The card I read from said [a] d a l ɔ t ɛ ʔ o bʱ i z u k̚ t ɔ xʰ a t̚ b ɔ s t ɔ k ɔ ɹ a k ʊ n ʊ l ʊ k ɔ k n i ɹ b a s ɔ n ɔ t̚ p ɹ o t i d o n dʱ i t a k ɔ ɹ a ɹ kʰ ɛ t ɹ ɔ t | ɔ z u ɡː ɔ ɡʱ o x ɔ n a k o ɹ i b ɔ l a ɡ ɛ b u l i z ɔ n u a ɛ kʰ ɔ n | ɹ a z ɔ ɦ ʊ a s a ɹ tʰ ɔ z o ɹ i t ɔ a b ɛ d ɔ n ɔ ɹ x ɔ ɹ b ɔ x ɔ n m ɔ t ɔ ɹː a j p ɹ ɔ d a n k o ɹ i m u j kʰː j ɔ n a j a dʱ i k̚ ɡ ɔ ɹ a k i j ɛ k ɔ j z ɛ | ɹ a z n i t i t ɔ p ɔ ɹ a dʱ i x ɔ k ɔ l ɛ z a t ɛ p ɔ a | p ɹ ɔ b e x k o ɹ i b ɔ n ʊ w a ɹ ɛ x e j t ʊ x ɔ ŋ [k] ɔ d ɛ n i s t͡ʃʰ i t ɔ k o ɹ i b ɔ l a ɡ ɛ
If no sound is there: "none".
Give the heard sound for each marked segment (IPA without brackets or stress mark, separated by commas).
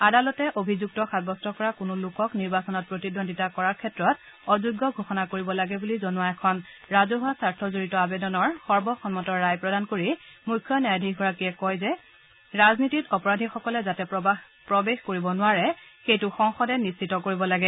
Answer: a, x